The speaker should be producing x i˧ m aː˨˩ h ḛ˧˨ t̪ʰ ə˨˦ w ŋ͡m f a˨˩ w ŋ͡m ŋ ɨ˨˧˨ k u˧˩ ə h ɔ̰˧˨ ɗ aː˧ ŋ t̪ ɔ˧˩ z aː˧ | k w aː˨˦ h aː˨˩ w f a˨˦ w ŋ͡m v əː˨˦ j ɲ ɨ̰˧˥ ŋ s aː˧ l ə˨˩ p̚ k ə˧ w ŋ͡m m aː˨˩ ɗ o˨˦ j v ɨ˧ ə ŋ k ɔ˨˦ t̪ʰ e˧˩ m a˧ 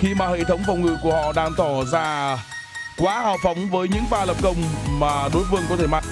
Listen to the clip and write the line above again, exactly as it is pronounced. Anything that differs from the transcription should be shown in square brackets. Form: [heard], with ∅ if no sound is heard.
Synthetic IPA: x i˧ m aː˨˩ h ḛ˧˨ t̪ʰ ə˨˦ w ŋ͡m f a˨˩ w ŋ͡m ŋ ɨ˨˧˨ k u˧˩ ə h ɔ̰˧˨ ɗ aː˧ ŋ t̪ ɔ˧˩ z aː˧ | k w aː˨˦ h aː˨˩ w f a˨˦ w ŋ͡m v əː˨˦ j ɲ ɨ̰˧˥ ŋ [f] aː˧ l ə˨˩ p̚ k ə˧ w ŋ͡m m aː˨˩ ɗ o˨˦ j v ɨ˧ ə ŋ k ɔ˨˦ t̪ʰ e˧˩ m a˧